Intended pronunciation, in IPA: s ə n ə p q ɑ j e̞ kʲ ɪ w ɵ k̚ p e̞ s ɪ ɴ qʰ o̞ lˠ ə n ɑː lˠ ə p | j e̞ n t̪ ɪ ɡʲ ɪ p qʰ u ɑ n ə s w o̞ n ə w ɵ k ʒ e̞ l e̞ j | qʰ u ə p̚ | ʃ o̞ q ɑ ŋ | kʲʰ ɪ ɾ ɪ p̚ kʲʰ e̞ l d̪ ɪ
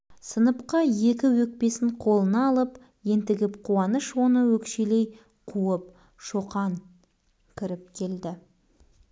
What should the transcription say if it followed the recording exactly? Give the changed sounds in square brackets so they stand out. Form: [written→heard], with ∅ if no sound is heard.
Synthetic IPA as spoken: s ə n ə p q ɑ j e̞ kʲ ɪ w ɵ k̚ p e̞ s ɪ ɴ qʰ o̞ lˠ ə n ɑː lˠ ə p | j e̞ n t̪ ɪ ɡʲ ɪ p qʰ u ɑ n ə [s→ʃ] w o̞ n ə w ɵ k [ʒ→ʃ] e̞ l e̞ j | qʰ u ə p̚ | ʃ o̞ q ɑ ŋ | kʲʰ ɪ ɾ ɪ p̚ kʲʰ e̞ l d̪ ɪ